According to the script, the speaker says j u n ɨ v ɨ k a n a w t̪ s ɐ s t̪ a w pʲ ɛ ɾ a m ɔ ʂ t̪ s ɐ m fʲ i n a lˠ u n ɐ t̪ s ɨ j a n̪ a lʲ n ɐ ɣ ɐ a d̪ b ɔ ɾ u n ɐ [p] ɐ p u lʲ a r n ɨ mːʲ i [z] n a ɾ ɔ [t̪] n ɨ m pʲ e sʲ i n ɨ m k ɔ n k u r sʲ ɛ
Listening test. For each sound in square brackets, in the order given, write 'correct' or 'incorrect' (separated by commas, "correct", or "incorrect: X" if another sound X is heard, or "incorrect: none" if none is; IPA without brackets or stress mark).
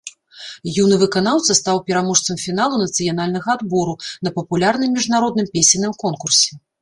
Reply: correct, incorrect: ʐ, incorrect: d̪